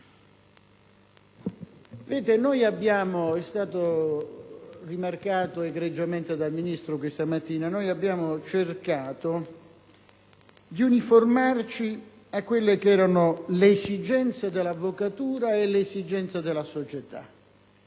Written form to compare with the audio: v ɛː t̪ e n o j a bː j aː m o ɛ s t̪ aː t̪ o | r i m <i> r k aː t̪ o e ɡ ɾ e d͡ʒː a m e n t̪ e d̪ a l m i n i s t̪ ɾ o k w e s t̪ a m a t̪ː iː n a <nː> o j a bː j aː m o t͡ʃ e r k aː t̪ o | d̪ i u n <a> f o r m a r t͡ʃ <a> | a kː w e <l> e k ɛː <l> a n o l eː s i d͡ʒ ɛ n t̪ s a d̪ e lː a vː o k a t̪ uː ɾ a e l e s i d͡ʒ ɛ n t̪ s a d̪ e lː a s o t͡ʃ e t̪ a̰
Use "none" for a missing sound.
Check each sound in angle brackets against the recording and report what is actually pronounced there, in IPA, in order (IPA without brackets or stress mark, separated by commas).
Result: a, n, i, i, lː, ɾ